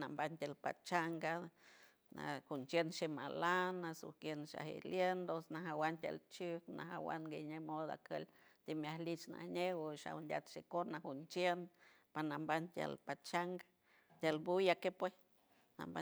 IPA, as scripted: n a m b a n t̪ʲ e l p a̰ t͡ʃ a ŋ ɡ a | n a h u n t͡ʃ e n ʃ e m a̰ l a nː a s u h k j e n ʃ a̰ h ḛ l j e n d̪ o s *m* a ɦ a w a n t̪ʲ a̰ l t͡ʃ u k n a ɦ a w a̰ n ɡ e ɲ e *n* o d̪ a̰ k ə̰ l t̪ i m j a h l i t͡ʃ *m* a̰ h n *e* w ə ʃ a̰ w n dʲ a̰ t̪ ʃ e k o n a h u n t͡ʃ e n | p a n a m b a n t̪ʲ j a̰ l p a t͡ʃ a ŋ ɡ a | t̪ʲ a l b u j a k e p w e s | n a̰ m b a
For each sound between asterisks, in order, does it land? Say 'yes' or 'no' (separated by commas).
no, no, no, yes